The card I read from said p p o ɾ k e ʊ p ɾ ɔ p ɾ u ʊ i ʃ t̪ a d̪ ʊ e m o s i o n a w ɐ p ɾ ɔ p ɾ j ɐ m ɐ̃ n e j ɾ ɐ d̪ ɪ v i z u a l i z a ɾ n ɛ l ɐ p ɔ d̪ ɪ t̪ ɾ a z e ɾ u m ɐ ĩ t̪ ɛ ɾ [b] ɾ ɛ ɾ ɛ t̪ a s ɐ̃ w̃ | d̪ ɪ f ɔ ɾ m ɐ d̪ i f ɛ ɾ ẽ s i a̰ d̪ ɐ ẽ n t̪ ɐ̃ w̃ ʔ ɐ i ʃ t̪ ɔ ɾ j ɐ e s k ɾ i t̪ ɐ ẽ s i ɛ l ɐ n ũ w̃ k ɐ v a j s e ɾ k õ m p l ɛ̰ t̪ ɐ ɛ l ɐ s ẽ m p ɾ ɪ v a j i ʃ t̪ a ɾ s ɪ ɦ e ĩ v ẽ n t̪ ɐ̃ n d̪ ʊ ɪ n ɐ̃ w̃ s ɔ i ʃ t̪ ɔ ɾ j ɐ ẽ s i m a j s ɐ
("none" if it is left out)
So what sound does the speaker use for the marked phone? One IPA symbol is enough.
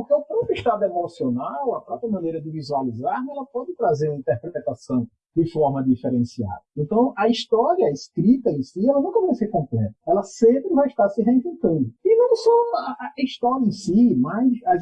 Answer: p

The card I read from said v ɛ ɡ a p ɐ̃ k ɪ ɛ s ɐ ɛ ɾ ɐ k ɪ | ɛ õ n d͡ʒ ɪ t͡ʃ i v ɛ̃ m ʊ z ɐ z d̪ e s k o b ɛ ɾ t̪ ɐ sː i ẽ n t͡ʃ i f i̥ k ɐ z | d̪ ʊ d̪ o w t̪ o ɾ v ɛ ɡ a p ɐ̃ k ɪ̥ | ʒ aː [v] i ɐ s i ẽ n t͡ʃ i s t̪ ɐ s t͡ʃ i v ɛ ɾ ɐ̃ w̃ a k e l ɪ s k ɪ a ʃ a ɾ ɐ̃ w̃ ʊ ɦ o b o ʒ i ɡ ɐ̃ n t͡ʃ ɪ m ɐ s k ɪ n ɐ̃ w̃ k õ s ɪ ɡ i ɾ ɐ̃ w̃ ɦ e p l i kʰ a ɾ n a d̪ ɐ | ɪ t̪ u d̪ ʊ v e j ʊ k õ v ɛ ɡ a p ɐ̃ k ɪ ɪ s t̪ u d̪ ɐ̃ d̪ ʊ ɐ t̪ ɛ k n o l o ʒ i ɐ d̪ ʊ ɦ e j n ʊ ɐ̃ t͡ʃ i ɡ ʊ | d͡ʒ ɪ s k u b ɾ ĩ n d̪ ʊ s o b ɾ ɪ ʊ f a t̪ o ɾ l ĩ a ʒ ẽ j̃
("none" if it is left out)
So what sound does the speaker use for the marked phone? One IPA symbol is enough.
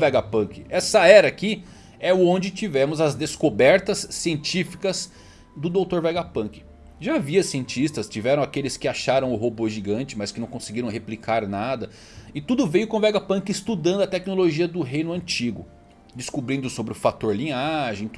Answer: v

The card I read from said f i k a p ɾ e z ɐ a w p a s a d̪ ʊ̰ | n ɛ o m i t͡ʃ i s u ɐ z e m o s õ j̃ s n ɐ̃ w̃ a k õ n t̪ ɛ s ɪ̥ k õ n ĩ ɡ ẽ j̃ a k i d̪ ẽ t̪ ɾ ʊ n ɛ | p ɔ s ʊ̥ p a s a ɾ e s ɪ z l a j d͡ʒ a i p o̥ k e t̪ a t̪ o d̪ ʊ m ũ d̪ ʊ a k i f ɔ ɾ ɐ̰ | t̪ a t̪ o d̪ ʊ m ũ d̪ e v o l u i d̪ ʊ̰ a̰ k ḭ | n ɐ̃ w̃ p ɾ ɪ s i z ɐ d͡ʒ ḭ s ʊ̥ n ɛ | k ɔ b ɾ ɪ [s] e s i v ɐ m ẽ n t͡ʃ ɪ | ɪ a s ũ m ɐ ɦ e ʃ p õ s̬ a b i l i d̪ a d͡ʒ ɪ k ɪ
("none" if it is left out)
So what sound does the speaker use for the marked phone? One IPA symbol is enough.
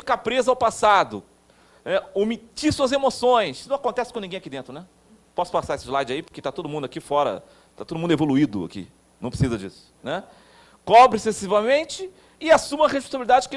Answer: s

